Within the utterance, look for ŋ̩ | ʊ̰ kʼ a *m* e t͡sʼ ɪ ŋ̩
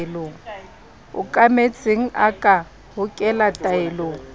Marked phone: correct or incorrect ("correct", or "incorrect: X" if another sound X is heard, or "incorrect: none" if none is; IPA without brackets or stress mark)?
correct